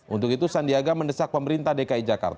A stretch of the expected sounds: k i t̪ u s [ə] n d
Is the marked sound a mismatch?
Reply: yes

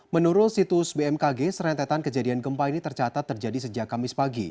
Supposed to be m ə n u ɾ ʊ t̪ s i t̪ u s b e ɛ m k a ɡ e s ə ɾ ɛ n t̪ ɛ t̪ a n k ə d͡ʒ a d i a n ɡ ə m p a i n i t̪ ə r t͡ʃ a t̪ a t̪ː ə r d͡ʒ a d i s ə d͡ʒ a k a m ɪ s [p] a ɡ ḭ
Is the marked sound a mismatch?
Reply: no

